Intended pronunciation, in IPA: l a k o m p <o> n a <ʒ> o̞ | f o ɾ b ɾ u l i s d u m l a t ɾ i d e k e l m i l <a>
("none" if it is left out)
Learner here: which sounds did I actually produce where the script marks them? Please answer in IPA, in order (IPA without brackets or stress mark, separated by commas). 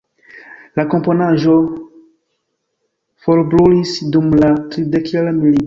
o, ʒ, i